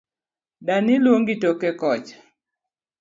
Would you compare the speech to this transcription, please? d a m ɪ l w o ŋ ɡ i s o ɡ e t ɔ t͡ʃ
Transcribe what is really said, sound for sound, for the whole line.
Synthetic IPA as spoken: d a n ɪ l w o ŋ ɡ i t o k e k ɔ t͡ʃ